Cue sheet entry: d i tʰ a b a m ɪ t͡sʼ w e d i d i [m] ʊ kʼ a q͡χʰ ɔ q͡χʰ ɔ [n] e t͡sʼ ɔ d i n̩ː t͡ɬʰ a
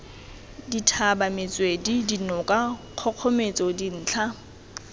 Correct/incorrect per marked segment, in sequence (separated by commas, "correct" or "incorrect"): incorrect, incorrect